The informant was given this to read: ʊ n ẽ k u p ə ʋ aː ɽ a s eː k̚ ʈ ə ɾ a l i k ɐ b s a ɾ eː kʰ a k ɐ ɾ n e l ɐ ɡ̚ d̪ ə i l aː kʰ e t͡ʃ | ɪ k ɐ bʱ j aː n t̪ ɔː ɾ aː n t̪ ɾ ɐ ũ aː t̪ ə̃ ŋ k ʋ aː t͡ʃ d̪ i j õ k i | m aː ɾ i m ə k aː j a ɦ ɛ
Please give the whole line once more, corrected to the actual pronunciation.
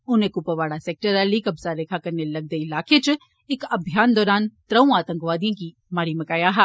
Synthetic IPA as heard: ʊ n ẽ k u p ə ʋ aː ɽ a s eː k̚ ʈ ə ɾ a l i k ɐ b s a ɾ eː kʰ a k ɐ ɾ n e l ɐ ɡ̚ d̪ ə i l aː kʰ e t͡ʃ | ɪ k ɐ bʱ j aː n d̪ ɔː ɾ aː n t̪ ɾ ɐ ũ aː t̪ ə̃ ŋ k ʋ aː d̪ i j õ k i | m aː ɾ i m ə k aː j a ɦ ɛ